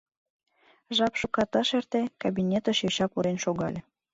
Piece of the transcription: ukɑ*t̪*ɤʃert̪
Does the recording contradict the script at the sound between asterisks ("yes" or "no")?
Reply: no